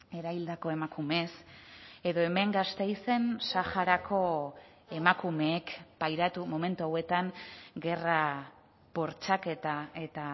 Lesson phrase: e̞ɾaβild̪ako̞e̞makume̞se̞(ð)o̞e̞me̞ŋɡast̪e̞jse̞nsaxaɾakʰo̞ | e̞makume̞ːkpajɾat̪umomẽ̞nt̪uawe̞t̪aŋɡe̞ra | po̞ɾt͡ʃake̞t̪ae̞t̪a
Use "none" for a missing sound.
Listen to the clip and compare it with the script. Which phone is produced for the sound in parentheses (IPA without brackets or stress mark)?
ð